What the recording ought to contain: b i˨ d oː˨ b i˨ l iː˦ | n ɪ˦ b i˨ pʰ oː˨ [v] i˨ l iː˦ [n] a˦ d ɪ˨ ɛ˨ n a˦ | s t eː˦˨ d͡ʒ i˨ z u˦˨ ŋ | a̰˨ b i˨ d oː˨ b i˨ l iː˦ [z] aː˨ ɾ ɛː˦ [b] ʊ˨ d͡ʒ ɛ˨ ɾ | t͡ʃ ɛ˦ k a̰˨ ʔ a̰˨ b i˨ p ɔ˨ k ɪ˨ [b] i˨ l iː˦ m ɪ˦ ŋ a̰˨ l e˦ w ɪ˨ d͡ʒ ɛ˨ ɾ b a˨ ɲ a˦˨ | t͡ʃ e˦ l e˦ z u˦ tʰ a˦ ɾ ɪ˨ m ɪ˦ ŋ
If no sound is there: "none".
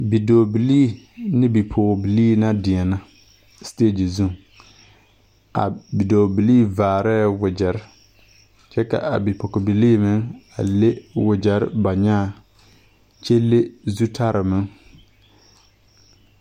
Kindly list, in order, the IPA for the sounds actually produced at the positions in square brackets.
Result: b, n, v, w, b

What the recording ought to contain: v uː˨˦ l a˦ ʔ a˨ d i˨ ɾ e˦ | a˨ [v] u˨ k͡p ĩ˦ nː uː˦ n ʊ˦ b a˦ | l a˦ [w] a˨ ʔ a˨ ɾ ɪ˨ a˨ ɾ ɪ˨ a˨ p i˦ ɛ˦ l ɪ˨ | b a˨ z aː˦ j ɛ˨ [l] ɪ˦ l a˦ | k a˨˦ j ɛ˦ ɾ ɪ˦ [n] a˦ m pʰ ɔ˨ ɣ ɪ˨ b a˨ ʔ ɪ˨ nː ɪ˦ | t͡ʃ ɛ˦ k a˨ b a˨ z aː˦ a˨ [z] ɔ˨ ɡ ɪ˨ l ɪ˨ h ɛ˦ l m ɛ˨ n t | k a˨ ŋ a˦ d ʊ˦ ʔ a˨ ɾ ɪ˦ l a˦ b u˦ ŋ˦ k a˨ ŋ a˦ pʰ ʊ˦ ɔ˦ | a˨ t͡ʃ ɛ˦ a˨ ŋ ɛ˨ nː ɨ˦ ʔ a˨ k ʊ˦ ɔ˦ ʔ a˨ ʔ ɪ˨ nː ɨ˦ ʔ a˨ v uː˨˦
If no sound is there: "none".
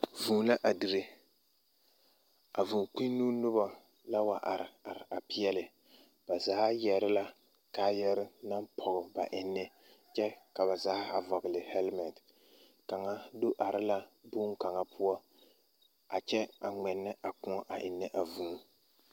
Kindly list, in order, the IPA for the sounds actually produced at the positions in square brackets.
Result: v, w, ɾ, n, v

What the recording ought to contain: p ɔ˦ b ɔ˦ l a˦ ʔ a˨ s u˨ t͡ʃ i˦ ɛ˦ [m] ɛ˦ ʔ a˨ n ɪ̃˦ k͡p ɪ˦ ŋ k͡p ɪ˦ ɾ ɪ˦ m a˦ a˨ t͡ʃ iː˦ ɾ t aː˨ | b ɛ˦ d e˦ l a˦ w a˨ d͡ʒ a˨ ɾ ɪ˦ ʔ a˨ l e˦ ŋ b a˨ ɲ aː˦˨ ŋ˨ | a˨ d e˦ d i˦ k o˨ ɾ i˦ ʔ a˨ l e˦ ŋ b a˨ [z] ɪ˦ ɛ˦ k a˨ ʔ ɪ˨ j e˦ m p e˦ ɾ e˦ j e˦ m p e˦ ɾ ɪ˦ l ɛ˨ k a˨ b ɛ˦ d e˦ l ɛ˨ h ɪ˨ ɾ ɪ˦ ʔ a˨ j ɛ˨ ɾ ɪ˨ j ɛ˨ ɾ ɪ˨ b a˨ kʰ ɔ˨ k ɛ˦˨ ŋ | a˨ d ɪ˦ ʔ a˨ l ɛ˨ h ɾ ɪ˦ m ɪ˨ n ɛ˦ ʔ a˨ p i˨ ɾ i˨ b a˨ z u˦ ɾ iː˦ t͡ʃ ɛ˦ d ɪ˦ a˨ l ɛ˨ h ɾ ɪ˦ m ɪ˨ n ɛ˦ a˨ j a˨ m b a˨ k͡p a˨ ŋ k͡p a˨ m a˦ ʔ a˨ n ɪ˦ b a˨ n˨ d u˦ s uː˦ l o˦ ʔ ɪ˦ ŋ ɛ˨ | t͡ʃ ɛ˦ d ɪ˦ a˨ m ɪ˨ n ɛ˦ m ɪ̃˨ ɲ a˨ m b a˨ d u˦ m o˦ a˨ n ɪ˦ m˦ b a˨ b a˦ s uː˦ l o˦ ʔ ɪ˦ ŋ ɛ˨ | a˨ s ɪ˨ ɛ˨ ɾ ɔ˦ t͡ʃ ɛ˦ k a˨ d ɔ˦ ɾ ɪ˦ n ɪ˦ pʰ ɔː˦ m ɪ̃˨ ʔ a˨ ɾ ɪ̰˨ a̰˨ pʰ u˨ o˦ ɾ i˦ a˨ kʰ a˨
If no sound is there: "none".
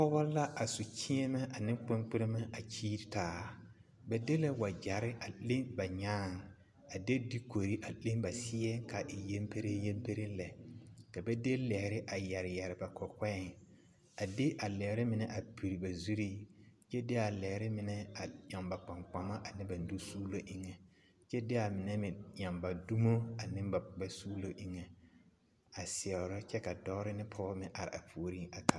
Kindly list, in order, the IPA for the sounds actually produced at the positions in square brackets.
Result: m, s

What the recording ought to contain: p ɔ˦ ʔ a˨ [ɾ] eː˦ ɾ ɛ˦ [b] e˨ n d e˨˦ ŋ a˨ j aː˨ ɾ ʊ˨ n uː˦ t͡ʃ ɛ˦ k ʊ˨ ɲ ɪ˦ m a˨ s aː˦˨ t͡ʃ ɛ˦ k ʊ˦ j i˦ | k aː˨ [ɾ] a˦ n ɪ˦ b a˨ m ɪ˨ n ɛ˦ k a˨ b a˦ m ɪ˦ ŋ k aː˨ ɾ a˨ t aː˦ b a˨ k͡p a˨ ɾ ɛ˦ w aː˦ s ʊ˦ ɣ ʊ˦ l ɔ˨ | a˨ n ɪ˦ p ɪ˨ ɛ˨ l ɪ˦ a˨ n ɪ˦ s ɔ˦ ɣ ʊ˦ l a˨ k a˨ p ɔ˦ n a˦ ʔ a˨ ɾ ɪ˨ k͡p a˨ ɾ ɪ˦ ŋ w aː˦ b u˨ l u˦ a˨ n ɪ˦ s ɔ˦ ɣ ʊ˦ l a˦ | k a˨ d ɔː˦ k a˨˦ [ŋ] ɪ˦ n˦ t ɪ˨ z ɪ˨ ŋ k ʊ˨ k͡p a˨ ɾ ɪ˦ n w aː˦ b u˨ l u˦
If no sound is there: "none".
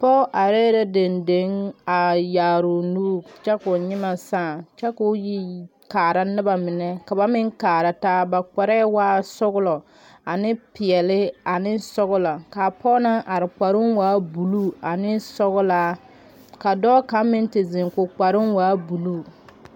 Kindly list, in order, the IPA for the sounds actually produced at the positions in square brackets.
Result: ɾ, d, ɾ, m

